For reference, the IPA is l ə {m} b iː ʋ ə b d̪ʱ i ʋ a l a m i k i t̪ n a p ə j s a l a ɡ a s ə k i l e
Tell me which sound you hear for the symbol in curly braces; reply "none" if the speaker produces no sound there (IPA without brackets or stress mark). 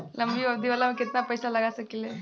m